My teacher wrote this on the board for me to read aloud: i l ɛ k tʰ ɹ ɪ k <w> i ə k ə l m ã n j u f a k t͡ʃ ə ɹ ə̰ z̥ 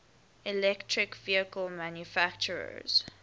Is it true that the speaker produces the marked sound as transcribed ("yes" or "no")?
no